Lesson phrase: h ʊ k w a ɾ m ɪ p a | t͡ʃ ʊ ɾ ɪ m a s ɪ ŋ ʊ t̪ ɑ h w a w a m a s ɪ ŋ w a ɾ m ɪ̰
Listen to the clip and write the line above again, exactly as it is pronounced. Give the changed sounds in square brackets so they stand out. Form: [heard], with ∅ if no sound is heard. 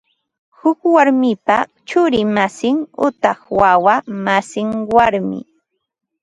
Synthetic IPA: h ʊ k w a ɾ m ɪ p a | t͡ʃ ʊ ɾ ɪ m a s ɪ ŋ ʊ t̪ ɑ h w a w a m a s ɪ ŋ w a ɾ m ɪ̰